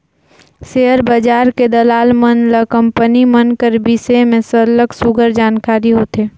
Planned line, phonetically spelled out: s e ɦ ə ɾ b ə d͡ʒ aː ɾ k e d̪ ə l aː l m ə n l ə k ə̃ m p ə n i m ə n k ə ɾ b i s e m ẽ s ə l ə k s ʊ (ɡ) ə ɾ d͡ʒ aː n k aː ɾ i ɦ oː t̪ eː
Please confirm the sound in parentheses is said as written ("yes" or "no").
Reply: yes